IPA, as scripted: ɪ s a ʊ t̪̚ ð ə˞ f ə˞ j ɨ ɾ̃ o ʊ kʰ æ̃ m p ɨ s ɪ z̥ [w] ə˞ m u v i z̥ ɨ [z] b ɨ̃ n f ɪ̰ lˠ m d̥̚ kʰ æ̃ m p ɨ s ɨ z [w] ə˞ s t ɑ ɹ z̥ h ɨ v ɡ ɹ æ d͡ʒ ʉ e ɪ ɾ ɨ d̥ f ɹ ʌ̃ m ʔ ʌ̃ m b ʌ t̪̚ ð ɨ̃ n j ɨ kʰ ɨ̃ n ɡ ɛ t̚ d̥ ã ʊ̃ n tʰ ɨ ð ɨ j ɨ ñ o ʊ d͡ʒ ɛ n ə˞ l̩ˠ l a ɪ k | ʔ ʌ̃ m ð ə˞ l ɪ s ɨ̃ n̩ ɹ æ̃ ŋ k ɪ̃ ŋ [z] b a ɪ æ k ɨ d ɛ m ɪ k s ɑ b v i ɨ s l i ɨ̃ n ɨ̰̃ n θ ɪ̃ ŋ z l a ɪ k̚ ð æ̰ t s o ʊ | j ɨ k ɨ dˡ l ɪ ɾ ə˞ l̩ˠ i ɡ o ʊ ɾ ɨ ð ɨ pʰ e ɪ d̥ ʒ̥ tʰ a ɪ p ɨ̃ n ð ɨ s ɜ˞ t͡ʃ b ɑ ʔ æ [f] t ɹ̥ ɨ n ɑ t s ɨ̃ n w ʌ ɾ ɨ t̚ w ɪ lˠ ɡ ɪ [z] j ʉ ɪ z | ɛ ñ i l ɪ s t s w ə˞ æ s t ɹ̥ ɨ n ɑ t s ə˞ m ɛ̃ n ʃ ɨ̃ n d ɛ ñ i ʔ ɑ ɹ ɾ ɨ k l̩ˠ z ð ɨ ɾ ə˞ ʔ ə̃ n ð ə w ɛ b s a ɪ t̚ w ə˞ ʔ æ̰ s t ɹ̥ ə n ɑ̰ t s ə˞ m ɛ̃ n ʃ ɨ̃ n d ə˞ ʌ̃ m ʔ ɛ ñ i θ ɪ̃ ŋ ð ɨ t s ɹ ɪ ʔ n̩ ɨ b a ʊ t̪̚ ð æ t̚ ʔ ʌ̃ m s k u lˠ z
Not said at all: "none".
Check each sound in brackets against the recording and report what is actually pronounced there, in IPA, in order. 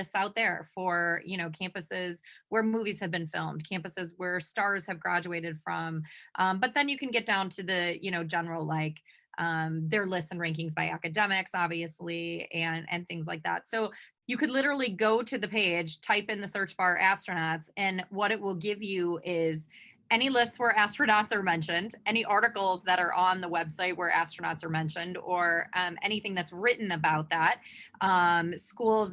w, v, w, z, s, v

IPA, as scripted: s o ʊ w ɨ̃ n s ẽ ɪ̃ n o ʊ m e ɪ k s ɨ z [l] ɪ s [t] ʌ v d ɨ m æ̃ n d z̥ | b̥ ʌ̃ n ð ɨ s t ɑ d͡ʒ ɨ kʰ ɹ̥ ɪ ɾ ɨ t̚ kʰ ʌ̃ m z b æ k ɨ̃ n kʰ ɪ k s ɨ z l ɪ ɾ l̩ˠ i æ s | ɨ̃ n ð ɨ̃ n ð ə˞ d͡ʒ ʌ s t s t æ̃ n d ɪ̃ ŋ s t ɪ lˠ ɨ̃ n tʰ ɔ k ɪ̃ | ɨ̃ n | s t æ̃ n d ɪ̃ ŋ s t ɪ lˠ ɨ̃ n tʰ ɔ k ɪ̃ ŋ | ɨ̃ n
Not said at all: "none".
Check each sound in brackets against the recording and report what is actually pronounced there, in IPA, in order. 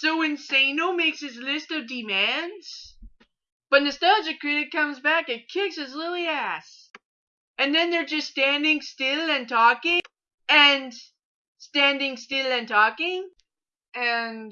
l, t

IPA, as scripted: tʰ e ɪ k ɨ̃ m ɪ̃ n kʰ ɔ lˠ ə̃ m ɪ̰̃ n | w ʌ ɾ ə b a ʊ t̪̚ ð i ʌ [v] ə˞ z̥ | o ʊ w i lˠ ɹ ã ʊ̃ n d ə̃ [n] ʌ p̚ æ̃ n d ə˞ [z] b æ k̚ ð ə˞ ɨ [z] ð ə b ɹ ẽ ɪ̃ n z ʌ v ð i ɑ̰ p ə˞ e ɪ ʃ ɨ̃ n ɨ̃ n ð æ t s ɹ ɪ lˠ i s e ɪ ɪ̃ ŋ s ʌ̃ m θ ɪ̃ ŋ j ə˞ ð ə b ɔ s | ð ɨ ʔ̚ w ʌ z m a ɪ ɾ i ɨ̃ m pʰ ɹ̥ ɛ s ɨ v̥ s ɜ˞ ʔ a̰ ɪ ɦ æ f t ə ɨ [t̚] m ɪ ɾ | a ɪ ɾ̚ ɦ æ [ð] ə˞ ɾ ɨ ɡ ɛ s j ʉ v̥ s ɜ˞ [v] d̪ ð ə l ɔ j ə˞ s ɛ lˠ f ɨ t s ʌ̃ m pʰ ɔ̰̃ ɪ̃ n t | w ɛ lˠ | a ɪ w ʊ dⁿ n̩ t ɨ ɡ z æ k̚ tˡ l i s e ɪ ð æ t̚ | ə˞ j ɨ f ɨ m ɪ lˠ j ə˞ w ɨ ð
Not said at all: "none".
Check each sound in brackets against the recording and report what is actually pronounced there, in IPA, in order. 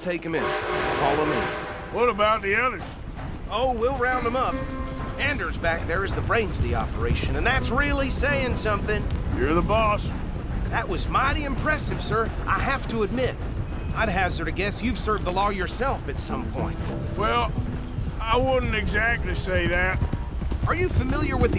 ð, m, z, z, d̚, z, v

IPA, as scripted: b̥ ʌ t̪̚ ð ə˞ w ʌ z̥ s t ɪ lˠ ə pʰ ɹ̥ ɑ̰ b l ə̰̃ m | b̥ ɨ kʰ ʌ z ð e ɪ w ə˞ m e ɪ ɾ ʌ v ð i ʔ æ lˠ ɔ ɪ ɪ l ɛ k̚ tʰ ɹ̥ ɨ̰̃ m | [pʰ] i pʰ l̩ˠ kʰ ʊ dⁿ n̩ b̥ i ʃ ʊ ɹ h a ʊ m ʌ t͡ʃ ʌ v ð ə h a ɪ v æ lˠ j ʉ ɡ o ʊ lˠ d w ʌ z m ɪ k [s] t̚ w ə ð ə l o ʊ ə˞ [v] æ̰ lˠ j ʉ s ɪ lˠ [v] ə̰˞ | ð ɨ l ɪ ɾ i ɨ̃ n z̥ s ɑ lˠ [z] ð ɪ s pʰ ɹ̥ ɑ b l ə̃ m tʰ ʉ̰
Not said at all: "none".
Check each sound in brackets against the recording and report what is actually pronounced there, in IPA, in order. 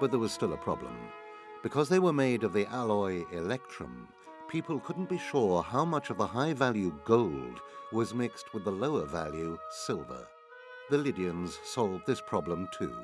pʰ, s, v, v, v

